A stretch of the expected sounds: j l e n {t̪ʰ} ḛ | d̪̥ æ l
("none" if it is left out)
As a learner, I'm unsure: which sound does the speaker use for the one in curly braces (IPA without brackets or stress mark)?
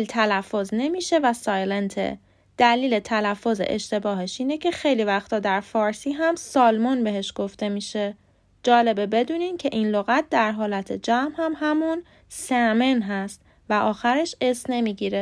t̪ʰ